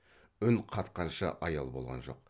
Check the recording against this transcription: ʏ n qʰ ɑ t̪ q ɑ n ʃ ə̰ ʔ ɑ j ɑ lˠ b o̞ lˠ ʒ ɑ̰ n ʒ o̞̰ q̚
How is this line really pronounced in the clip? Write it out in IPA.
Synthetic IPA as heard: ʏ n qʰ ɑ t̪ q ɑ n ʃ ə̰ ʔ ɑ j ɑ lˠ b o̞ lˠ ʁ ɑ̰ n ʒ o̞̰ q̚